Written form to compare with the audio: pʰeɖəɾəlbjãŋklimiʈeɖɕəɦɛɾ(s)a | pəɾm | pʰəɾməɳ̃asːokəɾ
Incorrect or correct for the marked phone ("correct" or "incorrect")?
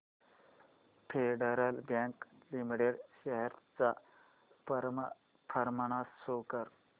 incorrect